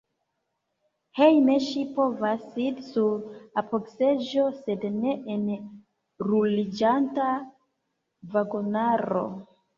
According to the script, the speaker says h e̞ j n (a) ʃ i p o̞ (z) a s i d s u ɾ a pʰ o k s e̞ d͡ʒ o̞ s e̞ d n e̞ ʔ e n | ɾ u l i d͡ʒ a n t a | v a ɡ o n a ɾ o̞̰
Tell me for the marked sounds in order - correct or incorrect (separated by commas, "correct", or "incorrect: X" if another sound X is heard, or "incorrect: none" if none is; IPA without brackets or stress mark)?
incorrect: e, incorrect: v